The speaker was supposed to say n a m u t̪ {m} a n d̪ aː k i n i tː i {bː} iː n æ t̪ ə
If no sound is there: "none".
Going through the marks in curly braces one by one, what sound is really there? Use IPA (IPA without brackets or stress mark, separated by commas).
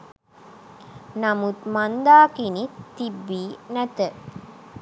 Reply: m, bː